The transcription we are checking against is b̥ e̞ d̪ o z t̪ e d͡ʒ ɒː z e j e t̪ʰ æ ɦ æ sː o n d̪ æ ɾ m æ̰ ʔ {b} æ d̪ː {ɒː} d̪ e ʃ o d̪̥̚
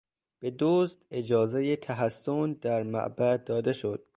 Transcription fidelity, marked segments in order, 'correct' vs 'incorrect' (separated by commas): correct, correct